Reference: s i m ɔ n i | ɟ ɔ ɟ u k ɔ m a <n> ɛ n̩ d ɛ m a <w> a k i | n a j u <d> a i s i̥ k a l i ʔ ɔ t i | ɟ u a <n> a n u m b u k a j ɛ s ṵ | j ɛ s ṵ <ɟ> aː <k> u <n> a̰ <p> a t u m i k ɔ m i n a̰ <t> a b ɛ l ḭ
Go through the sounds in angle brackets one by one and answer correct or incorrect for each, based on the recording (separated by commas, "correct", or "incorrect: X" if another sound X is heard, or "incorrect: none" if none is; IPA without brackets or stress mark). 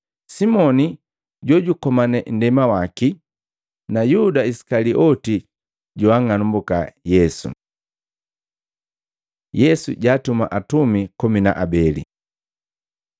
correct, correct, correct, incorrect: ŋ, correct, incorrect: t, incorrect: m, incorrect: ʔ, incorrect: ʔ